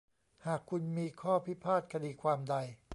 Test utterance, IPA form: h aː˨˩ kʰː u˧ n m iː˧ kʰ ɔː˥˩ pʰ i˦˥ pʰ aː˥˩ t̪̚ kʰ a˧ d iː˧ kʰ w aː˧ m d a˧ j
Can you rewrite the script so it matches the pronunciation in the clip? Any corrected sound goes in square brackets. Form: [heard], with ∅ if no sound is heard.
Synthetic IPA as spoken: h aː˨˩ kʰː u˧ n m iː˧ kʰ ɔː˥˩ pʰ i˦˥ pʰ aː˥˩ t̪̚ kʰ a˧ d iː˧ kʰ w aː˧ m d a˧ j